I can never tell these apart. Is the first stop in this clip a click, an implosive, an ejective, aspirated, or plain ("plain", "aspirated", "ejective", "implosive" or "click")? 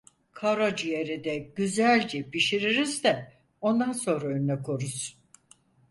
aspirated